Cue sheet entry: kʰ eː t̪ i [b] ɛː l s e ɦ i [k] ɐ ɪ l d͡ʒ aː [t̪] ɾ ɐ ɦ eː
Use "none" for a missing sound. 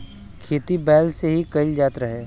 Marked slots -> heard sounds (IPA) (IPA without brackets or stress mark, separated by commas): b, k, t̪